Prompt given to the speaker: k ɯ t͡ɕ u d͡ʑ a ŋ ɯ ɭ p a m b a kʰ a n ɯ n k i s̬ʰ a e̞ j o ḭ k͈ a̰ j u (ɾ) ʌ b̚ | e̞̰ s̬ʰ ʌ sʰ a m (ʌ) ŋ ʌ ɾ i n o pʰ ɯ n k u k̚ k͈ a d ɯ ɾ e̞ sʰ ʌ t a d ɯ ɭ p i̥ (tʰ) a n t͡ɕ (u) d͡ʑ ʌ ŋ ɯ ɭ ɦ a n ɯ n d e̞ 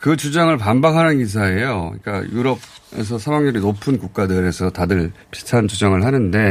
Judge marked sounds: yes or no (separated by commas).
yes, no, yes, yes